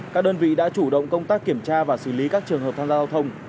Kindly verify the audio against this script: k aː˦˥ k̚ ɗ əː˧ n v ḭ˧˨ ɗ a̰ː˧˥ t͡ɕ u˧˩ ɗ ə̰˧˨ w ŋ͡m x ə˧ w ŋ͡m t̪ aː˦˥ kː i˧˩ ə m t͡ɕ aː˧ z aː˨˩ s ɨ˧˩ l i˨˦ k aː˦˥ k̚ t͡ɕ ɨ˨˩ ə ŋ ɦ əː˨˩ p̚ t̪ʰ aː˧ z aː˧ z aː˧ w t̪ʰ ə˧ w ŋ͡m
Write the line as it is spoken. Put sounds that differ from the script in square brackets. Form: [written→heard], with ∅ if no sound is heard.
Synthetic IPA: k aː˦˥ k̚ ɗ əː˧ n v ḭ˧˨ ɗ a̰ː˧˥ t͡ɕ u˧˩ ɗ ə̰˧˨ w ŋ͡m [x→k] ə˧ w ŋ͡m t̪ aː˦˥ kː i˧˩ ə m t͡ɕ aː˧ [z→v] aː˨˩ s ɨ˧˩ l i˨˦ k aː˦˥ k̚ t͡ɕ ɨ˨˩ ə ŋ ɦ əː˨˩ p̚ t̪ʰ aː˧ z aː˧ z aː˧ w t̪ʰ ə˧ w ŋ͡m